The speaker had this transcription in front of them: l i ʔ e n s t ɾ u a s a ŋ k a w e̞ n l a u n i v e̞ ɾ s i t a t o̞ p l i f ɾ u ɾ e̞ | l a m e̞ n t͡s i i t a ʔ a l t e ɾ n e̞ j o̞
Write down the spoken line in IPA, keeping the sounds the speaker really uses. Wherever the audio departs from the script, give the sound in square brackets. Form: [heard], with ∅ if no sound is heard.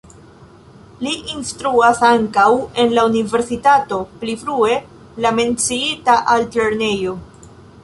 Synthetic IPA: l i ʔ [i] n s t ɾ u a s a ŋ k a w e̞ n l a u n i v e̞ ɾ s i t a t o̞ p l i f ɾ u [∅] e̞ | l a m e̞ n t͡s i i t a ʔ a l t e ɾ n e̞ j o̞